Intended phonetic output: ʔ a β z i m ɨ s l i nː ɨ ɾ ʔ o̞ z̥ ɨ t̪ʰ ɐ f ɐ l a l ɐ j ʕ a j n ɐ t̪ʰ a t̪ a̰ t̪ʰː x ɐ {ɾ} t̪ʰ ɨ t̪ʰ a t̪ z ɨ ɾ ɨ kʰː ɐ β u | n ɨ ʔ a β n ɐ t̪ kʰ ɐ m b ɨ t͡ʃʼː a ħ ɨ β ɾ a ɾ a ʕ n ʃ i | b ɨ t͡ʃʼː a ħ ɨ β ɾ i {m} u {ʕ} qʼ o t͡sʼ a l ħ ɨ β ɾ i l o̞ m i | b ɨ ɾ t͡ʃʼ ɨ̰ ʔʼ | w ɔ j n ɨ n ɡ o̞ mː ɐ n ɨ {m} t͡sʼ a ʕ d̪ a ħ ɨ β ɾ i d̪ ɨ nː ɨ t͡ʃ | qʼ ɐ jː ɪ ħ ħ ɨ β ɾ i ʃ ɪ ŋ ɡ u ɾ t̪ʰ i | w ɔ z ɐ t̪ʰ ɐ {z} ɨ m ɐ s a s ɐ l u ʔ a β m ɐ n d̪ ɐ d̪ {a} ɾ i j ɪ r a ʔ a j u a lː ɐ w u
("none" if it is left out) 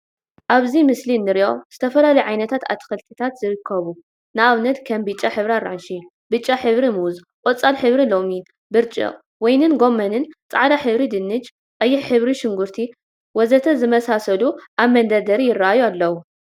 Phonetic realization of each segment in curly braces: l, m, z, n, z, ɐ

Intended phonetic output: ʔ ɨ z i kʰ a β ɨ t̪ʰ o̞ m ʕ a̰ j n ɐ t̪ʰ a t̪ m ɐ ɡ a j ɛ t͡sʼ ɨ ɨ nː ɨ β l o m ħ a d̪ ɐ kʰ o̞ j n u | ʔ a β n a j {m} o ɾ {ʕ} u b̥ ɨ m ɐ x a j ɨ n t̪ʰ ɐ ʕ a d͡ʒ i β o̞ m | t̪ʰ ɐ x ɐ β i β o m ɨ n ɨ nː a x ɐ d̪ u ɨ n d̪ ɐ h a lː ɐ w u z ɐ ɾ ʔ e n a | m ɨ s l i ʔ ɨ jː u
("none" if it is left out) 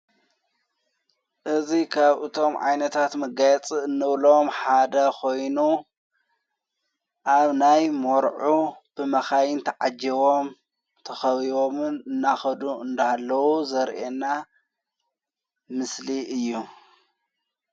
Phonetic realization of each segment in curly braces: m, ʕ

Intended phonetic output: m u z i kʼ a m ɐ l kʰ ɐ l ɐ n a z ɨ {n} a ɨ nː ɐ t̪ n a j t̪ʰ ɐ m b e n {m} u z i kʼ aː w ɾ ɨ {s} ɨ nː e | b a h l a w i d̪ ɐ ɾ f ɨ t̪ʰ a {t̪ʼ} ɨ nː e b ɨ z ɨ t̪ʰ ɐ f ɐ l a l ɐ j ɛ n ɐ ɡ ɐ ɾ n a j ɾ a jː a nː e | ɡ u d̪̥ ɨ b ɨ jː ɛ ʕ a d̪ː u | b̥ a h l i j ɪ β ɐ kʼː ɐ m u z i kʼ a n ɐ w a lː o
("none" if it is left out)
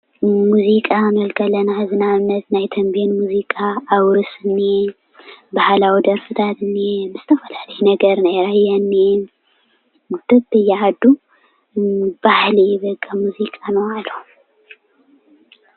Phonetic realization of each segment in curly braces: n, m, s, t̪

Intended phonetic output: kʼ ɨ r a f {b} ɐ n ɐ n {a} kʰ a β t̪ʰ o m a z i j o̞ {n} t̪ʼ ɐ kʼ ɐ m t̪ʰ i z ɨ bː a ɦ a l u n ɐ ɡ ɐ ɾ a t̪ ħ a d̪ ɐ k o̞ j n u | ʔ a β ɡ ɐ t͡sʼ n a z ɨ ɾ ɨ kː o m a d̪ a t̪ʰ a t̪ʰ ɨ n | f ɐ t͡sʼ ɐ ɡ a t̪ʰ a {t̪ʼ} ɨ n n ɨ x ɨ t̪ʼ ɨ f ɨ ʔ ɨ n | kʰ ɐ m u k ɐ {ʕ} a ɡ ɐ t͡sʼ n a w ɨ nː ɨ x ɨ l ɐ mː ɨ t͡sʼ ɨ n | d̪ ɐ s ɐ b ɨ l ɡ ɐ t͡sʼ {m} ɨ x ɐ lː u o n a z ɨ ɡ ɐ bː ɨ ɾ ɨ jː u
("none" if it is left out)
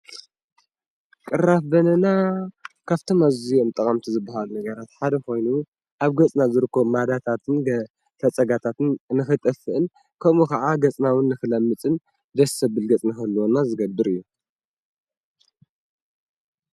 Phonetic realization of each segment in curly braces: b, a, m, t̪, ʕ, n

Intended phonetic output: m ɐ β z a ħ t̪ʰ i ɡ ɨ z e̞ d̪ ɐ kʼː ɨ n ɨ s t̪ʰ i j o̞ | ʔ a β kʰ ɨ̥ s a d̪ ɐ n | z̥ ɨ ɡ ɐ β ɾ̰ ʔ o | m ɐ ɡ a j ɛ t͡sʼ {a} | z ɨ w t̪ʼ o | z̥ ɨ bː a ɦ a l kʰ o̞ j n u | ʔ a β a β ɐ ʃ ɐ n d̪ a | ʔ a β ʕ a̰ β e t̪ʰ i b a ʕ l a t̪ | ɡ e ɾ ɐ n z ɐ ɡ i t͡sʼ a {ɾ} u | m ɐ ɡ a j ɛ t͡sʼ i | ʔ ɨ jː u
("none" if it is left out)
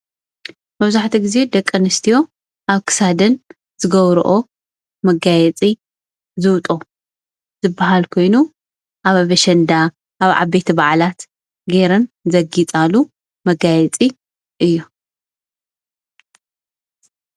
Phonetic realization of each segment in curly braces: i, l

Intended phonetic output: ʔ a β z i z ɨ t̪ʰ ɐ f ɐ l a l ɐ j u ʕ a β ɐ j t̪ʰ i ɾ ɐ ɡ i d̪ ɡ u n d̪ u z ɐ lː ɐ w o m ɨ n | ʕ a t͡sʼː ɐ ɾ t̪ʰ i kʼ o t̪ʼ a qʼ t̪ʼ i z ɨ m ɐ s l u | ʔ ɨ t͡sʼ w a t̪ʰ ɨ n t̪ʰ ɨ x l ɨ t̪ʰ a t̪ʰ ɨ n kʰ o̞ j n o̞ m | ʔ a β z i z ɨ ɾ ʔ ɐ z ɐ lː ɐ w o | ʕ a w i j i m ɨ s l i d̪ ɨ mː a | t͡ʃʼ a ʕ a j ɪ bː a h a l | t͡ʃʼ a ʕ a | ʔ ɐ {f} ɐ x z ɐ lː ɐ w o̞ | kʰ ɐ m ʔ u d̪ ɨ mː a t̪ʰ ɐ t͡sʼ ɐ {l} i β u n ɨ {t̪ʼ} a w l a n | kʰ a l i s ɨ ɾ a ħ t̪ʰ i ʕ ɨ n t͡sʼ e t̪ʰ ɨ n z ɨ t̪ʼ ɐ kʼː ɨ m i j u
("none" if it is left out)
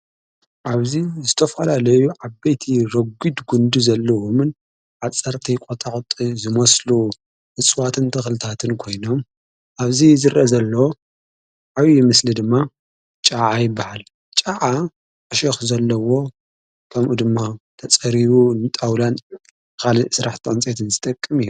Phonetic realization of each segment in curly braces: ʃ, ɾ, t̪ʼ

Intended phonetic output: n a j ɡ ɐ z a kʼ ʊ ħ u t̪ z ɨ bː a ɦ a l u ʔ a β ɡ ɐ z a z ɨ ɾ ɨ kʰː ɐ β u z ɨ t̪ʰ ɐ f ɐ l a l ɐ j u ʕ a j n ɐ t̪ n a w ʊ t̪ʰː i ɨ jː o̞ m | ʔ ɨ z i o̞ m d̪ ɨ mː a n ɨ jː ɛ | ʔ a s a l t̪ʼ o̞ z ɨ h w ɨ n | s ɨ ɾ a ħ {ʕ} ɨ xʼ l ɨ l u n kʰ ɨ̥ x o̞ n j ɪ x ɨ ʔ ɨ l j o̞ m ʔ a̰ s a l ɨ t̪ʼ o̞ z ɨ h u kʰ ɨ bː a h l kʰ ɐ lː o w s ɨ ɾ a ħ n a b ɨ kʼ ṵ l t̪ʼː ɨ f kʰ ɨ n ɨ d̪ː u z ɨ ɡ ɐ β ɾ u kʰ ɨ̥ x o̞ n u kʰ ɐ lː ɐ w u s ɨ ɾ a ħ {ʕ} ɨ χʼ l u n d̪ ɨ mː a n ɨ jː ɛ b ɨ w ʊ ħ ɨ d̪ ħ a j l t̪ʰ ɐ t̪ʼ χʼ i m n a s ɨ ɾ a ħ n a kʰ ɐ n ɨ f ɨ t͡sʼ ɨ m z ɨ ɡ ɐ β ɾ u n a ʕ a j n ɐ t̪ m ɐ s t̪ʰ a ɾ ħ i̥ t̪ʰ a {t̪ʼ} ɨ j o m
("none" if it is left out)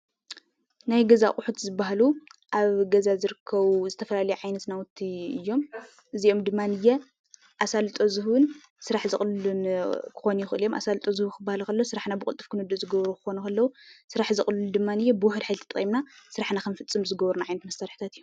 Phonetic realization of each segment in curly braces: z, z, t̪

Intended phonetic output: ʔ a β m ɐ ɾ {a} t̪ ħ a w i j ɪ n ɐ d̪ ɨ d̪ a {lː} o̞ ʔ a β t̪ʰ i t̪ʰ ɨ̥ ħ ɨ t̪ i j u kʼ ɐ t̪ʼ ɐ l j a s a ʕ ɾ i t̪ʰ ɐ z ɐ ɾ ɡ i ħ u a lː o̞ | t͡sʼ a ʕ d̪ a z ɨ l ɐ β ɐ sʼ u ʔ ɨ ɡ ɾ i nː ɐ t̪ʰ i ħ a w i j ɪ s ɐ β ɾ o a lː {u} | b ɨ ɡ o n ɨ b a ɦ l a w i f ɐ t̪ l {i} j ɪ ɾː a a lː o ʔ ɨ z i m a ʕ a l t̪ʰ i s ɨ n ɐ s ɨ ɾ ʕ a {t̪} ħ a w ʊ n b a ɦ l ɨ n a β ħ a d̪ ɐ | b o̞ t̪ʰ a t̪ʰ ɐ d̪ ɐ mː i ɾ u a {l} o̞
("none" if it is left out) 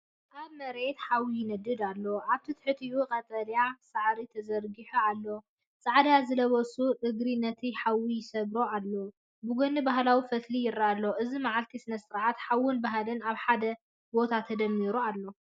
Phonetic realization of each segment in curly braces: e, lː, o, i, t̪, lː

